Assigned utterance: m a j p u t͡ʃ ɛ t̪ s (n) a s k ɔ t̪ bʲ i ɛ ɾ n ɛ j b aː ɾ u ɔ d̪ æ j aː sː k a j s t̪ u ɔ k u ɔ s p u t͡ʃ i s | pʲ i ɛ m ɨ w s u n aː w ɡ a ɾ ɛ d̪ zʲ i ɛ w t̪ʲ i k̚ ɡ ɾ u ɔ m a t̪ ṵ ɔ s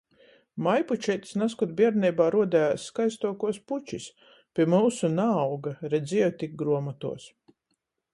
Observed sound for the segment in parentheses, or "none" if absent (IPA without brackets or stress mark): n